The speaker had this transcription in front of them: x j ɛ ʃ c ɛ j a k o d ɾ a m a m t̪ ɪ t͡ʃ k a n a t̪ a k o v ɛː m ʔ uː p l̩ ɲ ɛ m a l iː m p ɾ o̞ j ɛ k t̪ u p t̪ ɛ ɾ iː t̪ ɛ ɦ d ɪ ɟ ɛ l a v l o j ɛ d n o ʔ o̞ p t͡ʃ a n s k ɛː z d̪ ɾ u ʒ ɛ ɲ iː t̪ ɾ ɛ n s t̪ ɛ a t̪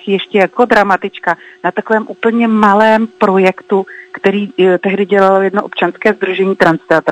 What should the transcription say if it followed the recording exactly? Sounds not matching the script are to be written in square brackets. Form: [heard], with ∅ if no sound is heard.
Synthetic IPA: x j ɛ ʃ c ɛ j a k o d ɾ a m a [∅] t̪ ɪ t͡ʃ k a n a t̪ a k o v ɛː m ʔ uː p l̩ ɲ ɛ m a l [ɛː] m p ɾ o̞ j ɛ k t̪ u [k] t̪ ɛ ɾ iː t̪ ɛ ɦ d ɪ ɟ ɛ l a [∅] l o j ɛ d n o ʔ o̞ p t͡ʃ a n s k ɛː z d̪ ɾ u ʒ ɛ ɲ iː t̪ ɾ [a] n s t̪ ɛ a t̪